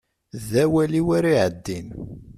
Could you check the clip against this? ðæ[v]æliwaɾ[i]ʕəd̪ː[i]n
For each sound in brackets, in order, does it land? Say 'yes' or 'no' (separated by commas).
no, yes, yes